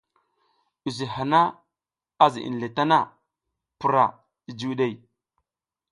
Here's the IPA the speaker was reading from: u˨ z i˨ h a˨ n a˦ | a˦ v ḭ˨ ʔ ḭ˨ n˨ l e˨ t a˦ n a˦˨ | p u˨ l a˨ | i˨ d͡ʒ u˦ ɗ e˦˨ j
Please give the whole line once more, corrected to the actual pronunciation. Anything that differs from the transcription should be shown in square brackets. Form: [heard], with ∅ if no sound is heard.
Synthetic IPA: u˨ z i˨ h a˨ n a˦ | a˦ [z] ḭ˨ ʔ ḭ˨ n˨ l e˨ t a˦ n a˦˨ | p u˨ [ɾ] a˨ | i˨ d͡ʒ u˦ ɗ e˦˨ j